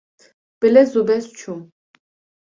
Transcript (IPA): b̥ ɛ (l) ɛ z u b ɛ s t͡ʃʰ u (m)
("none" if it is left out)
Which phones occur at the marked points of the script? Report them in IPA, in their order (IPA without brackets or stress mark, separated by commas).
l, m